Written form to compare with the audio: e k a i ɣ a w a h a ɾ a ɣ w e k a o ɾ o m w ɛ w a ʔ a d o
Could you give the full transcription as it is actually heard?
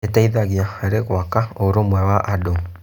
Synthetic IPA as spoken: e t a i ð a ɣ a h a ɾ e ɣ w a k a o ɾ o m w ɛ w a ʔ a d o